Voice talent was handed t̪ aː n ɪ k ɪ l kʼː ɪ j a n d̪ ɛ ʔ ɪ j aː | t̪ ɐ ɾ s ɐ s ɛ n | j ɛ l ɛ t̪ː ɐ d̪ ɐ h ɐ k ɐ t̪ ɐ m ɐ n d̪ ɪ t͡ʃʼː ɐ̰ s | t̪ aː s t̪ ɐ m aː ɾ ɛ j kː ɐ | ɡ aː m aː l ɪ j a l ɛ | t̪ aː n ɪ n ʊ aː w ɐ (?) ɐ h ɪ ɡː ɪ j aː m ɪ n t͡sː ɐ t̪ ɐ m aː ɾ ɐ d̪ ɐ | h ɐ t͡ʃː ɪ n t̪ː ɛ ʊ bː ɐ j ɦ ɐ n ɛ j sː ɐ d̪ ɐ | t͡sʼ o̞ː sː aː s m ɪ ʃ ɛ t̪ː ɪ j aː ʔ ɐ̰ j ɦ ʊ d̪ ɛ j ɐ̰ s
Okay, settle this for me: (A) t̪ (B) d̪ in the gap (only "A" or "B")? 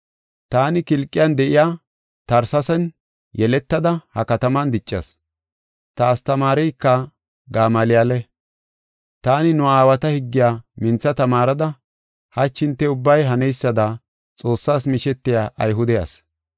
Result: A